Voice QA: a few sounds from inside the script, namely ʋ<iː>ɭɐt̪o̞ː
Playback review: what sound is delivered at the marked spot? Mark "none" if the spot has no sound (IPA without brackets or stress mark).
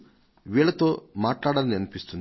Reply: iː